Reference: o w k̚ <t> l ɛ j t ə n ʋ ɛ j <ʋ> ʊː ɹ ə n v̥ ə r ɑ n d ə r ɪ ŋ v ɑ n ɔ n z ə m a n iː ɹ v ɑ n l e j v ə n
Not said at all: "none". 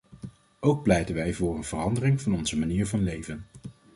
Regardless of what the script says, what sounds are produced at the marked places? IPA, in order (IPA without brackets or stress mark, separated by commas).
p, v